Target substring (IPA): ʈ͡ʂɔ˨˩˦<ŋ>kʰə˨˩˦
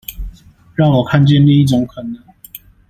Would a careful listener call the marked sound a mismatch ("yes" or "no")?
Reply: no